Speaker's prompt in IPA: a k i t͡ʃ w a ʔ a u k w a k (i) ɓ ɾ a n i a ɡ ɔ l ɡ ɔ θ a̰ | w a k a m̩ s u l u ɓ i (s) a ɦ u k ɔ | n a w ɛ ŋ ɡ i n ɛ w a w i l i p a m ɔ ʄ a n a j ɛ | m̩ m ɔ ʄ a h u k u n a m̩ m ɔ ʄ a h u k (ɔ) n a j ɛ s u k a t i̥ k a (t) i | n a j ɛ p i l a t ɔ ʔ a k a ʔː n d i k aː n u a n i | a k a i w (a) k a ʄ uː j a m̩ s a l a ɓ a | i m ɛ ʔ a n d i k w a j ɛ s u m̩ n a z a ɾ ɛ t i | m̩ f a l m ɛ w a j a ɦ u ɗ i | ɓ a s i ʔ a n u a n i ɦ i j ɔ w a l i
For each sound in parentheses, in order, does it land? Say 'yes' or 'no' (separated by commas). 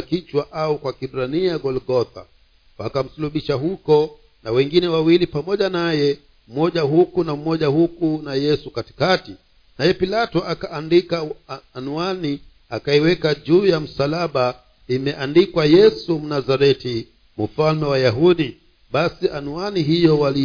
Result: yes, no, no, yes, no